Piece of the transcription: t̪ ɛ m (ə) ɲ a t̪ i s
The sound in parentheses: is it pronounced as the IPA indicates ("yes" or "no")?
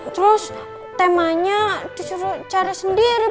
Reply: no